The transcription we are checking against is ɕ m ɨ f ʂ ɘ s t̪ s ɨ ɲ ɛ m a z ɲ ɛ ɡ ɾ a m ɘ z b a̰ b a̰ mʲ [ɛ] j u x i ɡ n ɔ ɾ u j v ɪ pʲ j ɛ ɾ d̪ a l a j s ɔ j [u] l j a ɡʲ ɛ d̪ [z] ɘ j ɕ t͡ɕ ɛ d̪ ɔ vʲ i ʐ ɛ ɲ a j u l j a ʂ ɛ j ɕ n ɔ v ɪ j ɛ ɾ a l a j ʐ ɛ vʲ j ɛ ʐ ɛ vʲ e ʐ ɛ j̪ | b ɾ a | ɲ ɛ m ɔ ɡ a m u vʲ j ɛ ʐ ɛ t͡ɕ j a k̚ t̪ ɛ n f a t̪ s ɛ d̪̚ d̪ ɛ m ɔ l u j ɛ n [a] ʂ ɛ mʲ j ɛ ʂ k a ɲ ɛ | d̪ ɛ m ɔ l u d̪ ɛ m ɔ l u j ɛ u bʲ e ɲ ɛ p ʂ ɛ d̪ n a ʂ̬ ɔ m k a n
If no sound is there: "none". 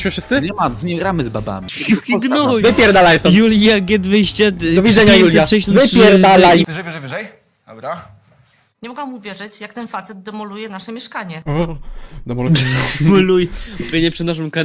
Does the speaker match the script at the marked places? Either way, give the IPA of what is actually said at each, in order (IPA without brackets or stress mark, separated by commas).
i, u, v, a